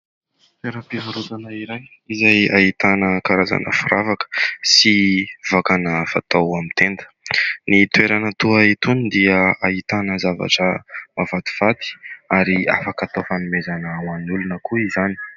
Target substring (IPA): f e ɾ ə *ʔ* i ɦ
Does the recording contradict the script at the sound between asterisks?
yes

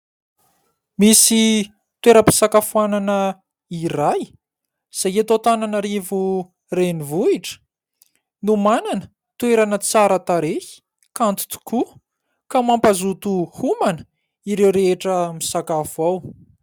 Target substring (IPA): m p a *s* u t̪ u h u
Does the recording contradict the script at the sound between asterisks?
yes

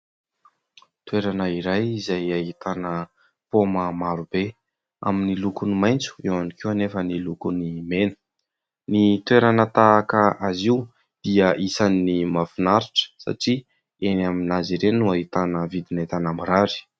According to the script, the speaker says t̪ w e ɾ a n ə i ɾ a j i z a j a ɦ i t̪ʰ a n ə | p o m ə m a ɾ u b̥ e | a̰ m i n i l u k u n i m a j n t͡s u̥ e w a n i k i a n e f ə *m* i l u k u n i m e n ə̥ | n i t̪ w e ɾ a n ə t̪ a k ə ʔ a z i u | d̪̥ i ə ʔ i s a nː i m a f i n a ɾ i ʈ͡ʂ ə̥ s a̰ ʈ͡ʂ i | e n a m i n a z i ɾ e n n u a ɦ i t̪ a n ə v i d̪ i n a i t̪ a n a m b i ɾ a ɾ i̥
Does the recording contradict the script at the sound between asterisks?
yes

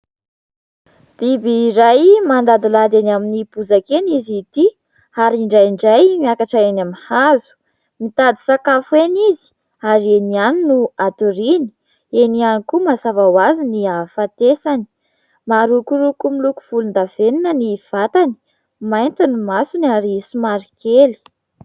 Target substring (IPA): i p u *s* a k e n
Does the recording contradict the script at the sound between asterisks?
yes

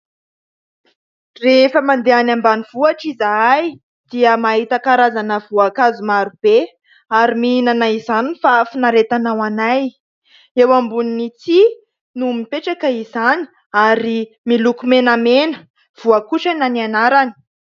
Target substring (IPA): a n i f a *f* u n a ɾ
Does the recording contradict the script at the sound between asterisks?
no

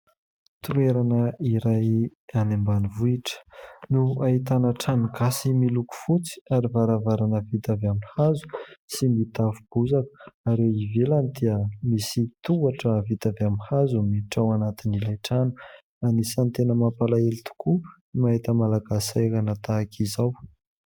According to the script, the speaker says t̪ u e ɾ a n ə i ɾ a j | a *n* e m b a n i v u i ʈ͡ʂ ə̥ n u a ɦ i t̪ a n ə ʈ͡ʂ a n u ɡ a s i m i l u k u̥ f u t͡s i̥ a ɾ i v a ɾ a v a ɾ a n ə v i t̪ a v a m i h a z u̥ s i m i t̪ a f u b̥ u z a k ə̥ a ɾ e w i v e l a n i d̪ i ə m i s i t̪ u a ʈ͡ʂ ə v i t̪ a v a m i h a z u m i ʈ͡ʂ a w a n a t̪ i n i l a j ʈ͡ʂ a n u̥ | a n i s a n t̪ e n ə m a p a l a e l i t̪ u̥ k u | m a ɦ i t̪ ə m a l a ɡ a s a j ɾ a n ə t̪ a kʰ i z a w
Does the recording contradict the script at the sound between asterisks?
no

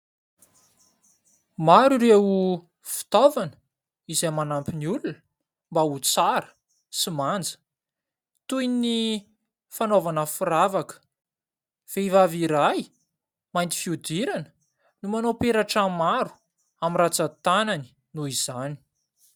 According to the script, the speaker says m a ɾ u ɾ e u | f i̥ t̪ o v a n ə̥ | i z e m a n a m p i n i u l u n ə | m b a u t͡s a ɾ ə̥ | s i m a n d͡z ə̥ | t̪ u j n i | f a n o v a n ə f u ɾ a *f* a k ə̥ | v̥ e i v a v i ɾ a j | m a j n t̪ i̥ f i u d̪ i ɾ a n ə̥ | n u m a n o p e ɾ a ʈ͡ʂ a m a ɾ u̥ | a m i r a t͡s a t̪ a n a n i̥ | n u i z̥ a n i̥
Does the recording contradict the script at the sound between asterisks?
yes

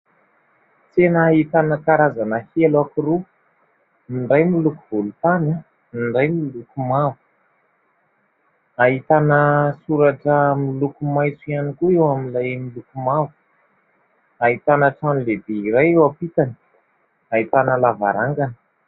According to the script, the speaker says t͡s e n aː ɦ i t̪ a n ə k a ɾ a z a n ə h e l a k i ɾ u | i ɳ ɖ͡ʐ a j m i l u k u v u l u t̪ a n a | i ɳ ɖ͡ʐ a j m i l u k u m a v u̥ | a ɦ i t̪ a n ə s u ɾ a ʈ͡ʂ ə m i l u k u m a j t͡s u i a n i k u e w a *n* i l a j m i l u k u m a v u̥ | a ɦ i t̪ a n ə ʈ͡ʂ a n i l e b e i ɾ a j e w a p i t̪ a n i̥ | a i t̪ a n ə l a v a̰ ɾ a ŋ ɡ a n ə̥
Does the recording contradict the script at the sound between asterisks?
yes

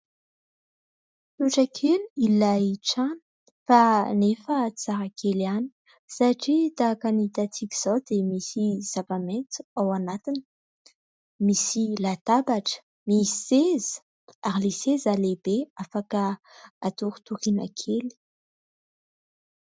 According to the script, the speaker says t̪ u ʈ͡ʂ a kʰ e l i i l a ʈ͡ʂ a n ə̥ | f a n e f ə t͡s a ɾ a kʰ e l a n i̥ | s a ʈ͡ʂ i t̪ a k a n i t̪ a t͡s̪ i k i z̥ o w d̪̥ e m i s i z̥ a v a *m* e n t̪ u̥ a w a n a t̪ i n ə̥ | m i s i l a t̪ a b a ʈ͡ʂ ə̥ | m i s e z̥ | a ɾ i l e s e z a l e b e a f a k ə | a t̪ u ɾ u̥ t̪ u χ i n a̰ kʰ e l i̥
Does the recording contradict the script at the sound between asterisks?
no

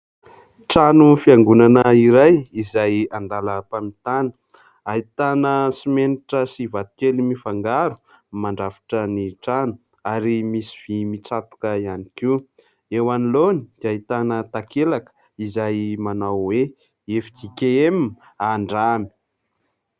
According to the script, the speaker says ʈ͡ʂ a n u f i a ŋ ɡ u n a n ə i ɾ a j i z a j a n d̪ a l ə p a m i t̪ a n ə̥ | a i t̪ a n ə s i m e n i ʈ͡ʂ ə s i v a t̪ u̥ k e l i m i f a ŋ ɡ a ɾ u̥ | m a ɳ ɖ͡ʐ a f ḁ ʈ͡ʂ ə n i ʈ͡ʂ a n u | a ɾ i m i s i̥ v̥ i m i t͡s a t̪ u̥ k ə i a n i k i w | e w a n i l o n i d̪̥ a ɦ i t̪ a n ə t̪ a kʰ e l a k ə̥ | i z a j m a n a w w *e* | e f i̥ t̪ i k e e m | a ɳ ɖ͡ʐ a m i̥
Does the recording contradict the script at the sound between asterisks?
no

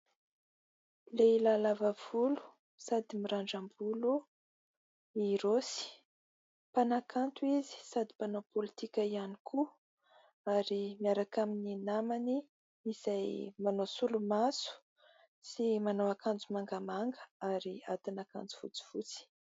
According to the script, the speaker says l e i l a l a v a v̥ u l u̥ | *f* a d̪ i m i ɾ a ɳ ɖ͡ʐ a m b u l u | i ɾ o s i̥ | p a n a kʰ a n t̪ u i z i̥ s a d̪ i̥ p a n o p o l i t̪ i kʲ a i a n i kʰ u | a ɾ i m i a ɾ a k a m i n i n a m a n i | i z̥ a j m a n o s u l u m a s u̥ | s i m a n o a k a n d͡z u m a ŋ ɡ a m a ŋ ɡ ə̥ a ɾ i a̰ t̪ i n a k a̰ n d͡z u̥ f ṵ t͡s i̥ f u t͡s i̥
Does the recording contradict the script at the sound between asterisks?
yes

